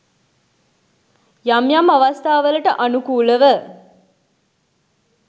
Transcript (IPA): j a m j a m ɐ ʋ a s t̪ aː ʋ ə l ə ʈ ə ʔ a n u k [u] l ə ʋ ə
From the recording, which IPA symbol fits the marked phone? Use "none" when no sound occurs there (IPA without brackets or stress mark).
uː